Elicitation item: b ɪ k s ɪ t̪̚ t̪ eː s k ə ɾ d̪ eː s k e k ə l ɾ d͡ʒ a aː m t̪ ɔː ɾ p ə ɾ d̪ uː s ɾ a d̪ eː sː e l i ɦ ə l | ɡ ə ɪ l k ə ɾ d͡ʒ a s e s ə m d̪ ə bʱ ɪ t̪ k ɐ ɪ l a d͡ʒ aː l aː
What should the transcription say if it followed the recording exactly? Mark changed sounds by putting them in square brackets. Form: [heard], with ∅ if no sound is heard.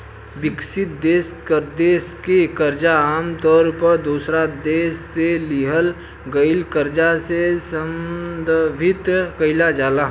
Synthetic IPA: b ɪ k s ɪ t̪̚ [d̪] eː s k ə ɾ d̪ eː s k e k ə [∅] ɾ d͡ʒ a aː m t̪ ɔː ɾ p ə ɾ d̪ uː s ɾ a d̪ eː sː e l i ɦ ə l | ɡ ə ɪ l k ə ɾ d͡ʒ a s e s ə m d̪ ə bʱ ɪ t̪ k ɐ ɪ l a d͡ʒ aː l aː

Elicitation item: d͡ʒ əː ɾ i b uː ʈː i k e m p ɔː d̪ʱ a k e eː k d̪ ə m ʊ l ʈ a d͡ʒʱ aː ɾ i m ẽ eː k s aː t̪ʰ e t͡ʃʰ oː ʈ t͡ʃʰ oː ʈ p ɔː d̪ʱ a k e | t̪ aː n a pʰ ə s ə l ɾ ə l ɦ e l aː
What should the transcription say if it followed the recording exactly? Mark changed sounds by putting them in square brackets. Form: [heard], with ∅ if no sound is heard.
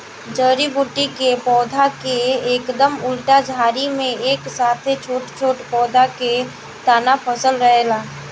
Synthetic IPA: d͡ʒ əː ɾ i b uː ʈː i k e [∅] p ɔː d̪ʱ a k e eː k d̪ ə m ʊ l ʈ a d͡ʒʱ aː ɾ i m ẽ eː k s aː t̪ʰ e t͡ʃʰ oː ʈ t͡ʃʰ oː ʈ p ɔː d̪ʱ a k e | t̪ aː n a pʰ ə s ə l ɾ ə [∅] ɦ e l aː

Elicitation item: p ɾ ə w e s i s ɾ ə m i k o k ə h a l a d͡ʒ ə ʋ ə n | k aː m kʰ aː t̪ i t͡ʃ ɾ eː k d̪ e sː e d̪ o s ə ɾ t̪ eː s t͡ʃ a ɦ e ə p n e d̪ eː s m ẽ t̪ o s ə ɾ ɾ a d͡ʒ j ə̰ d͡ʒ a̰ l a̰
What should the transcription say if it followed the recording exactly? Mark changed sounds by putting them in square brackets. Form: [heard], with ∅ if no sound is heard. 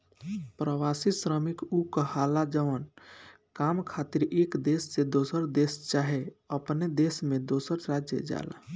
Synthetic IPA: p ɾ ə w [a] s i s ɾ ə m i k [u] k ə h a l a d͡ʒ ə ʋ ə n | k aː m kʰ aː t̪ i [∅] ɾ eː k d̪ e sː e d̪ o s ə ɾ [d̪] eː s t͡ʃ a ɦ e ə p n e d̪ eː s m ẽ [d̪] o s ə ɾ ɾ a d͡ʒ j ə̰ d͡ʒ a̰ l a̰

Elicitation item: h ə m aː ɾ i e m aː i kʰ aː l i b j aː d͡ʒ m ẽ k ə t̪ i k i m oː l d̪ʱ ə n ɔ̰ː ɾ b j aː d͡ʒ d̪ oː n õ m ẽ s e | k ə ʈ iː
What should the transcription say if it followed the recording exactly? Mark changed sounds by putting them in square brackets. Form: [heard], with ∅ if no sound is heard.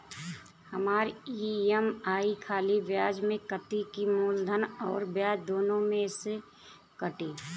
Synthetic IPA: h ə m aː ɾ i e m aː i kʰ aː l i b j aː d͡ʒ m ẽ k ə t̪ i k i m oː l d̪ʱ ə n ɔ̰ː ɾ b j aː d͡ʒ d̪ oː n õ m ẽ s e | k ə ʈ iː

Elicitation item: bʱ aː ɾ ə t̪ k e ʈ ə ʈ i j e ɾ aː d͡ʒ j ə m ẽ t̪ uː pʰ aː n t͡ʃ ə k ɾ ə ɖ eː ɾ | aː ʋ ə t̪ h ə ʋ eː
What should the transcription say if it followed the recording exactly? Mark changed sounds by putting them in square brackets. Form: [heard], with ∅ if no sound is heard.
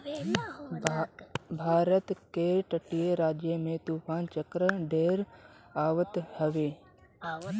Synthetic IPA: bʱ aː ɾ ə t̪ k e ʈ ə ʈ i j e ɾ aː d͡ʒ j ə m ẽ t̪ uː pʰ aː n t͡ʃ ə k ɾ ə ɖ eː ɾ | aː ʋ ə t̪ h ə ʋ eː

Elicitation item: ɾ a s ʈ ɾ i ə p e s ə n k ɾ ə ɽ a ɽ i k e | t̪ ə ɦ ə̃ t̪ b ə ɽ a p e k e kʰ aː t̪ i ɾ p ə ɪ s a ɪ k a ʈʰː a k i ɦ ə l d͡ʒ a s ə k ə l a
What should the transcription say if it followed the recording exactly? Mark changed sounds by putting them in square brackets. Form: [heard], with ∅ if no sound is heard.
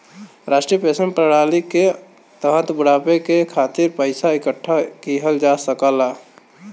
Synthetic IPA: ɾ a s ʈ ɾ i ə p e s ə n [p] ɾ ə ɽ a [l] i k e | t̪ ə ɦ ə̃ t̪ b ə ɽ a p e k e kʰ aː t̪ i ɾ p ə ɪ s a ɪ k [ə] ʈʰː a k i ɦ ə l d͡ʒ a s ə k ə l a

